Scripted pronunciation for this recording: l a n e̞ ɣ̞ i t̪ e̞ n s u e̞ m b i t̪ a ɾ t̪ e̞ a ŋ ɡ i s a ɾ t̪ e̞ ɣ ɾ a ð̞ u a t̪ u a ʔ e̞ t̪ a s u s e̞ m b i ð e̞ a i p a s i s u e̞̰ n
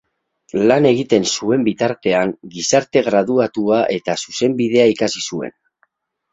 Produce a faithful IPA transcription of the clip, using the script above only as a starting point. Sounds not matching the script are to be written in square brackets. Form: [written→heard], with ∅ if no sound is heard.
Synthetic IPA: l a n e̞ ɣ̞ i t̪ e̞ n s u e̞ m b i t̪ a ɾ t̪ e̞ a ŋ ɡ i s a ɾ t̪ e̞ ɣ ɾ a ð̞ u a t̪ u a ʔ e̞ t̪ a s u s e̞ m b i ð e̞ a i [p→k] a s i s u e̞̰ n